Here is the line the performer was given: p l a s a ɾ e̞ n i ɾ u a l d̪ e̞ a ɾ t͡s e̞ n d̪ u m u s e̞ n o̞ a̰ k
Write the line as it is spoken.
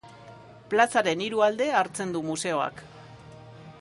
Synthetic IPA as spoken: p l a s a ɾ e̞ n i ɾ u a l d̪ e̞ a ɾ t͡s e̞ n d̪ u m u s e̞ o̞ a̰ k